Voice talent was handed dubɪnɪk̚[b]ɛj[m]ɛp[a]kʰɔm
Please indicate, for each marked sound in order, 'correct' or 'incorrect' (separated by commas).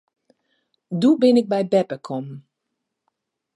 correct, incorrect, incorrect